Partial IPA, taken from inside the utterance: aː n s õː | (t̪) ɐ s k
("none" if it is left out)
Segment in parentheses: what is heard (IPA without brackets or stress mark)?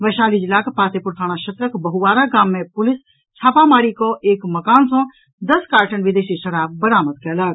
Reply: d̪